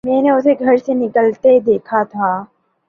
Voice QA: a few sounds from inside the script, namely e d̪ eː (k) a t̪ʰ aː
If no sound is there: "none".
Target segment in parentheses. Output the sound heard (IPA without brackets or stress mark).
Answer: kʰ